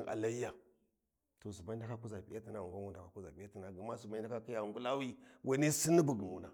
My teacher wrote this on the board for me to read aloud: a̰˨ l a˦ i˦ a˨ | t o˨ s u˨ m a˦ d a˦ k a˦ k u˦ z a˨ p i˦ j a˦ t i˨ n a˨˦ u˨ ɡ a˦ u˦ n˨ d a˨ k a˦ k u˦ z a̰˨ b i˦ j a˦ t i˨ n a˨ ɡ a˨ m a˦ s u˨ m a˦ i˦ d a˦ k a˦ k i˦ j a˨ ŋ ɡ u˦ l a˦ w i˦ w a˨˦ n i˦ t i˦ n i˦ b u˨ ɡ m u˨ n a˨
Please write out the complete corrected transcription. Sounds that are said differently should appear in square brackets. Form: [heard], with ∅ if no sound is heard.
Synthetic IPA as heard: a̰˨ l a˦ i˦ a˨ | t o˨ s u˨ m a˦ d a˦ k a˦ k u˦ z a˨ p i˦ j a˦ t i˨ n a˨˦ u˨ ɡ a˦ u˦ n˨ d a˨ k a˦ k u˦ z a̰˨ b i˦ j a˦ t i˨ n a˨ ɡ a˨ m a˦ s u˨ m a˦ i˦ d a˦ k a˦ k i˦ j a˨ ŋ ɡ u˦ l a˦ w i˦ w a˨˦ n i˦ [s] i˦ n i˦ b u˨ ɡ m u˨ n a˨

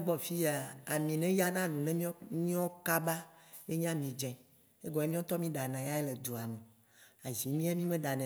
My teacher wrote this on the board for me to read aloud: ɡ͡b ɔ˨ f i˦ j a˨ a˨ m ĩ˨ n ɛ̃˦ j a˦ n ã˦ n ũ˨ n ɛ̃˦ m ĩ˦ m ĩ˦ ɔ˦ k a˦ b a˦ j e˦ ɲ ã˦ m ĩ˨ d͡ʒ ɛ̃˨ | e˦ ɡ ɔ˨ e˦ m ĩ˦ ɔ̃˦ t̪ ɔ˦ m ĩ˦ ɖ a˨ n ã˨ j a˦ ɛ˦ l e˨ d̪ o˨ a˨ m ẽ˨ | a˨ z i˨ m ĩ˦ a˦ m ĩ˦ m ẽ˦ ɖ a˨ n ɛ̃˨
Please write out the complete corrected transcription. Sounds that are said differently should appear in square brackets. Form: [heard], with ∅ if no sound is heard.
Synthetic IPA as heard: ɡ͡b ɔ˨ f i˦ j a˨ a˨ m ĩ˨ n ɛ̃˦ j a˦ n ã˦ n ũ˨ n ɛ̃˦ m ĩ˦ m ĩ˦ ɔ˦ k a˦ b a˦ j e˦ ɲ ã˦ m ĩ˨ d͡ʒ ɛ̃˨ | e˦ ɡ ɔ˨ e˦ m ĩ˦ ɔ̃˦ t̪ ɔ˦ m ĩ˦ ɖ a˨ n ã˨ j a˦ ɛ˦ l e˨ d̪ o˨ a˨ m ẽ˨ | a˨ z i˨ m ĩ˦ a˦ m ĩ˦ m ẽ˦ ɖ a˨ n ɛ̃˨

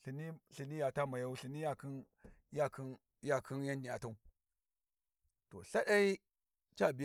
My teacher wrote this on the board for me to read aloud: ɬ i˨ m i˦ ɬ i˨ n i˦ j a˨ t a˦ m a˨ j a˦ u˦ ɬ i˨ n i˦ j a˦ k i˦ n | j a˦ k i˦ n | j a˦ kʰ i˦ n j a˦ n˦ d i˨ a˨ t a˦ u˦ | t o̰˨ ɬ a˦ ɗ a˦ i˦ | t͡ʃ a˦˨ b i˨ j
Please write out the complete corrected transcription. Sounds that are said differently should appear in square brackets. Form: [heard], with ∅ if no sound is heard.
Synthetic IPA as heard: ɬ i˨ [n] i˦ ɬ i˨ n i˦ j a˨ t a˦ m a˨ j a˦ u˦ ɬ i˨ n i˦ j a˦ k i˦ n | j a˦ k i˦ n | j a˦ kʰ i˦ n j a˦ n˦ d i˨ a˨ t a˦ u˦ | t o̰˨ ɬ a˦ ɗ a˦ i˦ | t͡ʃ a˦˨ b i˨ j

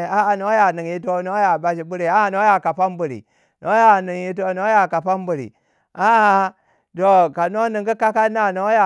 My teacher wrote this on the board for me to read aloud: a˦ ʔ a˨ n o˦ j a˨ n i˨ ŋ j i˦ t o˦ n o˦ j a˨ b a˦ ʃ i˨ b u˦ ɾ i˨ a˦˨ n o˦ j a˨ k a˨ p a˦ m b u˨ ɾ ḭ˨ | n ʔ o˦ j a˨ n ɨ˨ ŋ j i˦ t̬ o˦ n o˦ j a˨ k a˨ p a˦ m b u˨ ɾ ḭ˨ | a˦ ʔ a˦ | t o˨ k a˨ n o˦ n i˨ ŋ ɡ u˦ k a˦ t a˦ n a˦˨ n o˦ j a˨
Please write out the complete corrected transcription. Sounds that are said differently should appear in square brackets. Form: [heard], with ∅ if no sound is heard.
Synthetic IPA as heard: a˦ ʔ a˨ n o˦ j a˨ n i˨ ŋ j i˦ t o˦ n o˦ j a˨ b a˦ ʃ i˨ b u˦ ɾ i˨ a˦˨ n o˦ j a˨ k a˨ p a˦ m b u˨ ɾ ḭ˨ | n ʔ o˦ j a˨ n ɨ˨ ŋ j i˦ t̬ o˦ n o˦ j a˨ k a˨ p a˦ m b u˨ ɾ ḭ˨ | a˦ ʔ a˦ | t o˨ k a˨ n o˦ n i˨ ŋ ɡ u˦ k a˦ [k] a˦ n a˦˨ n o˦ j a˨

